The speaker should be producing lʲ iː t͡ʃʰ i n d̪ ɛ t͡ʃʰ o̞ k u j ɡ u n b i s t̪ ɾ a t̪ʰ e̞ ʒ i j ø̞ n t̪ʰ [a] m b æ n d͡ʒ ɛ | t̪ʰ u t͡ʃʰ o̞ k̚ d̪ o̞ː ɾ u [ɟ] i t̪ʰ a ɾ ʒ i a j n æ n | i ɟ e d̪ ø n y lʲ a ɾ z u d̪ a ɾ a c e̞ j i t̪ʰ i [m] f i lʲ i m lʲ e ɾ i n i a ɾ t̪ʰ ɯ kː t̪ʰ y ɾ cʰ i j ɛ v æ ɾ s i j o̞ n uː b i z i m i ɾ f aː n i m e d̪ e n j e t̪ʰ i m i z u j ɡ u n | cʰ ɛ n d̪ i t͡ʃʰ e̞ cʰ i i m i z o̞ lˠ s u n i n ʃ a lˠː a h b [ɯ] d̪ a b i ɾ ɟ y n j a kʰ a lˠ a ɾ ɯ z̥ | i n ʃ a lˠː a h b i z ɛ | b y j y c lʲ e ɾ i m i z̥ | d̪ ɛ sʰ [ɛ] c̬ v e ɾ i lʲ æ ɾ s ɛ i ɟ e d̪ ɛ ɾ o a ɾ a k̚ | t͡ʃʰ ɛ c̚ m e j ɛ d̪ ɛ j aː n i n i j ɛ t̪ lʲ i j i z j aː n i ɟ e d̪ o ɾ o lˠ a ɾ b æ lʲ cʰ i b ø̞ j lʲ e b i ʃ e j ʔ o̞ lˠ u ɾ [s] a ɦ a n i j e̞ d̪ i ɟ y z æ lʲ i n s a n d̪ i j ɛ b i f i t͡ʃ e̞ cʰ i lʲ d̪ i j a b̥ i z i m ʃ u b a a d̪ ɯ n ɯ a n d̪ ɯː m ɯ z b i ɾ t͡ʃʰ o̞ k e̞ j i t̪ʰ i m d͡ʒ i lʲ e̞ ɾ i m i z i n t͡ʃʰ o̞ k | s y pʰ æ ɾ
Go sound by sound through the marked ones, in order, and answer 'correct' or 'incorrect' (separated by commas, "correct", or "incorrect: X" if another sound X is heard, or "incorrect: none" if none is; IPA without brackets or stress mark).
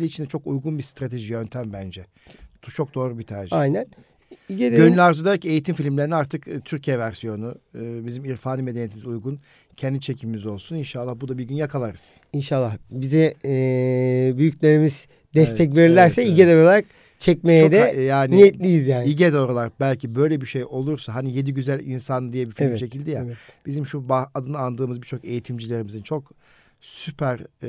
incorrect: æ, incorrect: b, correct, incorrect: u, correct, correct